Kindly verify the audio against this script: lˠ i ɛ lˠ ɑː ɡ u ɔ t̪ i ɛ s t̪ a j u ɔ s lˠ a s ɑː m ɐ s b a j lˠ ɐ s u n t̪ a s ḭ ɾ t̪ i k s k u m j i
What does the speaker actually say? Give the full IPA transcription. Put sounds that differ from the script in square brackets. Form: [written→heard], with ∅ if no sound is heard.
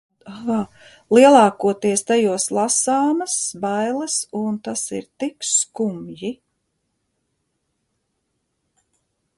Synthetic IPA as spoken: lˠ i ɛ lˠ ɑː [ɡ→k] u ɔ t̪ i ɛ s t̪ a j u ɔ s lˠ a s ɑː m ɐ s b a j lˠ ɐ s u n t̪ a s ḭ ɾ t̪ i k s k u m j i